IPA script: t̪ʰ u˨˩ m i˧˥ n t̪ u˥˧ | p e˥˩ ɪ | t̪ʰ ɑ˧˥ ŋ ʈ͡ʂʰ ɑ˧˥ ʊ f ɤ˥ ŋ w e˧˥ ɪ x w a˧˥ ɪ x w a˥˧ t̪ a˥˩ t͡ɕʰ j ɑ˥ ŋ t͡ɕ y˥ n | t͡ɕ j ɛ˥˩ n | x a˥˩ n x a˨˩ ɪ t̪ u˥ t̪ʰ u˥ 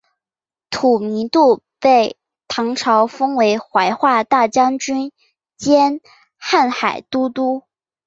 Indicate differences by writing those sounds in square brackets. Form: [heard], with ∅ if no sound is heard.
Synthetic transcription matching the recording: t̪ʰ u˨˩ m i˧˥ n t̪ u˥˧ | p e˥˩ ɪ | t̪ʰ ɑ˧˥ ŋ ʈ͡ʂʰ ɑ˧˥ ʊ f ɤ˥ ŋ w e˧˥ ɪ x w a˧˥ ɪ x w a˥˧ t̪ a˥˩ [t͡ɕ] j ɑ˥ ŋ t͡ɕ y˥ n | t͡ɕ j [ɛ˥] n | x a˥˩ n x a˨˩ ɪ t̪ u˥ [t̪] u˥